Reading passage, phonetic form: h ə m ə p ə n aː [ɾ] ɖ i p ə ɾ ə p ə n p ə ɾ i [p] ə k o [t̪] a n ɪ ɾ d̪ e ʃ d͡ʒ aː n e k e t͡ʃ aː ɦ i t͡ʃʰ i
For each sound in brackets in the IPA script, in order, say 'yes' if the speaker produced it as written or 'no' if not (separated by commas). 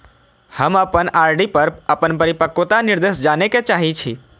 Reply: yes, yes, yes